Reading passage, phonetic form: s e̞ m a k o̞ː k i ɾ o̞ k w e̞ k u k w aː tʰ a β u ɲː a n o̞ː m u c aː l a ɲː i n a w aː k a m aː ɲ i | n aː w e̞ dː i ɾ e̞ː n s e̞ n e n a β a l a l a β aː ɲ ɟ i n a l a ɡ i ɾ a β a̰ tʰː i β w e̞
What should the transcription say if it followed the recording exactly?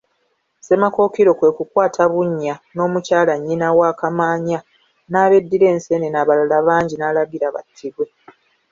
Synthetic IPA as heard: s e̞ m a k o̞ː k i ɾ o̞ k w e̞ k u k w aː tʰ a β u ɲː a n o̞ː m u c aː l a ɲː i n a w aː k a m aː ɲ a | n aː β e̞ dː i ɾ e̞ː n s e̞ n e n a β a l a l a β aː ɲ ɟ i n a l a ɡ i ɾ a β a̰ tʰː i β w e̞